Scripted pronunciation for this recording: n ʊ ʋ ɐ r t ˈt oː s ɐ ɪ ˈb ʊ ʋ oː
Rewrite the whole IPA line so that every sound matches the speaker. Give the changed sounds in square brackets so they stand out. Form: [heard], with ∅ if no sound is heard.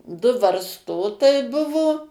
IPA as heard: [d] ʊ ʋ ɐ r [s] ˈt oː [t] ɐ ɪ ˈb ʊ ʋ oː